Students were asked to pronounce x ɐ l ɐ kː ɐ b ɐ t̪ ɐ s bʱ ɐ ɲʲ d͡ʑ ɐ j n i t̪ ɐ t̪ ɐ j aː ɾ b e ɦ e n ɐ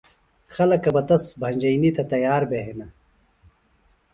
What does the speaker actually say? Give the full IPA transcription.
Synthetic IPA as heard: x ɐ l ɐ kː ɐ b ɐ t̪ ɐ s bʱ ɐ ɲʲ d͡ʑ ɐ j n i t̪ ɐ t̪ ɐ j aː ɾ b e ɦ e n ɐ